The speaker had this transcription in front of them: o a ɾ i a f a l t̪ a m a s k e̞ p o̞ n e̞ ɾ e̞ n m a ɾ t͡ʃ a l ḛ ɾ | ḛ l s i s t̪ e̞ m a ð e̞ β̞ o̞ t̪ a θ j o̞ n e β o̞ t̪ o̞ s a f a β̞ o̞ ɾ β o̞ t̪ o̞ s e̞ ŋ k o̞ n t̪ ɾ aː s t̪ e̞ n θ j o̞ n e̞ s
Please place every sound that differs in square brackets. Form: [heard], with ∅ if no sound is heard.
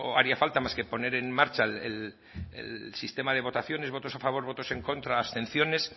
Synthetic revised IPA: o a ɾ i a f a l t̪ a m a s k e̞ p o̞ n e̞ ɾ e̞ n m a ɾ t͡ʃ a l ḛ [l] | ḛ l s i s t̪ e̞ m a ð e̞ β̞ o̞ t̪ a θ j o̞ n e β o̞ t̪ o̞ s a f a β̞ o̞ ɾ β o̞ t̪ o̞ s e̞ ŋ k o̞ n t̪ ɾ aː s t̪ e̞ n θ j o̞ n e̞ s